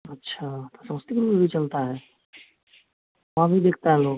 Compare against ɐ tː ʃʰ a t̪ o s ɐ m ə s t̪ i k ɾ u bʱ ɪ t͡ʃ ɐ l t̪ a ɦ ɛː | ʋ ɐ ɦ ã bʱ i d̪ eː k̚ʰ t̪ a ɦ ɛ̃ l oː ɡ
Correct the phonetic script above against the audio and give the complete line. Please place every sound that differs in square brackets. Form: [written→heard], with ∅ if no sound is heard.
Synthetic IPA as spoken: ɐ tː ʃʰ a t̪ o s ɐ m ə s t̪ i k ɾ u bʱ [ɪ→i] t͡ʃ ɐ l t̪ a ɦ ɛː | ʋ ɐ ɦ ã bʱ i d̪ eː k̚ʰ t̪ a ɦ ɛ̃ l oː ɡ